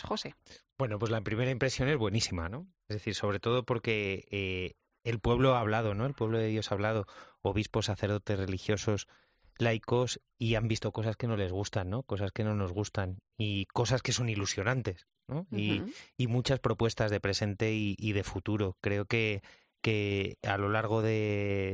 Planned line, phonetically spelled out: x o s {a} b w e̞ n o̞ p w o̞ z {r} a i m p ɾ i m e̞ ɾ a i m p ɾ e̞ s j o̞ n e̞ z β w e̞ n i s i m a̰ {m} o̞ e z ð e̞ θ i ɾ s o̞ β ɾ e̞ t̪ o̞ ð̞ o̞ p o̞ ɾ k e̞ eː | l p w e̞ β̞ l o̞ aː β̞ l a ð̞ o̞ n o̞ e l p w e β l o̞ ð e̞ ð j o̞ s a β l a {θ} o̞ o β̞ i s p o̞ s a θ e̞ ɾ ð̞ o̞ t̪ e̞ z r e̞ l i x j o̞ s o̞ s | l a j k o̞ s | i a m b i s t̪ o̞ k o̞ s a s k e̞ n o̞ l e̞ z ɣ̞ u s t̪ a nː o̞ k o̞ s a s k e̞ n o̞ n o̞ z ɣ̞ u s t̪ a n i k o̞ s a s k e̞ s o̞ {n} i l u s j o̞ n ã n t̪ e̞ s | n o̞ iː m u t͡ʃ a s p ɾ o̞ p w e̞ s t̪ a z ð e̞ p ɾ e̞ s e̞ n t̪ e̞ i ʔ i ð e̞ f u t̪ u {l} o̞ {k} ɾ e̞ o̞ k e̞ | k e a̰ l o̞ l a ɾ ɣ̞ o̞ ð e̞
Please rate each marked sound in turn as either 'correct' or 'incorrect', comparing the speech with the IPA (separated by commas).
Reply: incorrect, incorrect, incorrect, incorrect, correct, incorrect, correct